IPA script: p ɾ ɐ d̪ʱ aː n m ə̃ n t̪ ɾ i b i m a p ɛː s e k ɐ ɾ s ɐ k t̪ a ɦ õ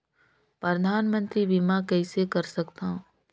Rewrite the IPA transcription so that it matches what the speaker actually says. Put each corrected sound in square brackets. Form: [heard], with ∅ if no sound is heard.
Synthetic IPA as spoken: p ɾ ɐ d̪ʱ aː n m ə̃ n t̪ ɾ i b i m a [k] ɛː s e k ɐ ɾ s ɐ k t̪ a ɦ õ